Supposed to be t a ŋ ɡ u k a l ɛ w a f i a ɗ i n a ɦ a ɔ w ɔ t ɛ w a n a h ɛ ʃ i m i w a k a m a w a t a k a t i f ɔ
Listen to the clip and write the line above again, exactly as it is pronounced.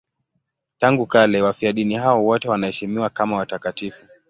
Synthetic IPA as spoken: t a ŋ ɡ u k a l ɛ w a f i a ɗ i n i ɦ a ɔ w ɔ t ɛ w a n a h ɛ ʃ i m i w a k a m a w a t a k a t i f u